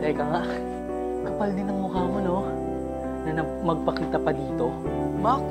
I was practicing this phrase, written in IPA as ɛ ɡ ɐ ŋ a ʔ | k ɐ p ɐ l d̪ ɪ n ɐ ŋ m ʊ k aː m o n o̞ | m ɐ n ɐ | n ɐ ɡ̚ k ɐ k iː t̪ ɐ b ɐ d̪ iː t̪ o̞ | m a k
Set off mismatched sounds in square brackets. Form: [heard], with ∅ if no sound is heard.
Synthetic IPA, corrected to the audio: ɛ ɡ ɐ ŋ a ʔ | k ɐ p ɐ l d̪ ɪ n ɐ ŋ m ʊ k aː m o n o̞ | [n] ɐ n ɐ | [m] ɐ ɡ̚ [p] ɐ k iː t̪ ɐ [p] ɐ d̪ iː t̪ o̞ | m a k